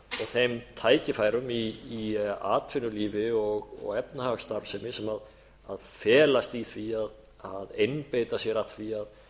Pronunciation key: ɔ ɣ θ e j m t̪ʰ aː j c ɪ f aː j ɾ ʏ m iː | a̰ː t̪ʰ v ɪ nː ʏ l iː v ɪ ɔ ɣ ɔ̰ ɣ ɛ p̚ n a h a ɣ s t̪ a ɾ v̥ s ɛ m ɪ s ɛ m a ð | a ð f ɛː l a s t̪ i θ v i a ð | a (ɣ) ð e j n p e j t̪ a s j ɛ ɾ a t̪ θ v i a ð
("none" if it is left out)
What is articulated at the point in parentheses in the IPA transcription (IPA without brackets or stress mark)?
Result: none